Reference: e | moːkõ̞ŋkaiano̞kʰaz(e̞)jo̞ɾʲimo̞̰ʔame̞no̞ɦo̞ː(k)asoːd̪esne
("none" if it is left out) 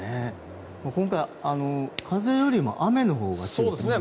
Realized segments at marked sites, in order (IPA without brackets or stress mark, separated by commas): e̞, ɡ